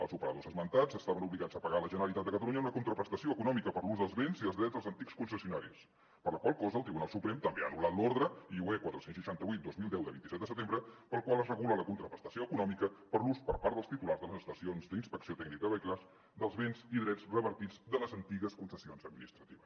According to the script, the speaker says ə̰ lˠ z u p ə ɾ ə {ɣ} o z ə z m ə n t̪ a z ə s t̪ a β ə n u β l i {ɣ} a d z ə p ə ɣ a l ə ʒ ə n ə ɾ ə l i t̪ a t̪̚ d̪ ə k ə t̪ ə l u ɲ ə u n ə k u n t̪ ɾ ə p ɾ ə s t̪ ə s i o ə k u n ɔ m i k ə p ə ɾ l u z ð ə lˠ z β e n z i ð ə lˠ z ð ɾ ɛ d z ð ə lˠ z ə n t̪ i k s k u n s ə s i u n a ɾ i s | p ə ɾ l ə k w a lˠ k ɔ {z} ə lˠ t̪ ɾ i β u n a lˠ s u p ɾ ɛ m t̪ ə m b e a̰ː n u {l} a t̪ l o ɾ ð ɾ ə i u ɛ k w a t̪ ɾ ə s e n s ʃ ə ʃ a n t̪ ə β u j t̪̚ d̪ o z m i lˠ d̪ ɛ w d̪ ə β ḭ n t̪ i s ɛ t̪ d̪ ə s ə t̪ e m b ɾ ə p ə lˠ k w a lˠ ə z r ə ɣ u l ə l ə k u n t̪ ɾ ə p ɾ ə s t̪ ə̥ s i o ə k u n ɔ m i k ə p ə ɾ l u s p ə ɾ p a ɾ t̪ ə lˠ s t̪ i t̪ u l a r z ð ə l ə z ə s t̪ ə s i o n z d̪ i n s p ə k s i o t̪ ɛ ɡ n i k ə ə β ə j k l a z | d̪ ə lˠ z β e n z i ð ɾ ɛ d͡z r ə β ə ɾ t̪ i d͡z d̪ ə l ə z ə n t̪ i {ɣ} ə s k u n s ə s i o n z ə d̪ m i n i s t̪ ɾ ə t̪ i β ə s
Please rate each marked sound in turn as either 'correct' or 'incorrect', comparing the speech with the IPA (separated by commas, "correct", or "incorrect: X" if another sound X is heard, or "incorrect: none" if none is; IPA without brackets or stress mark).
incorrect: ð, correct, correct, correct, correct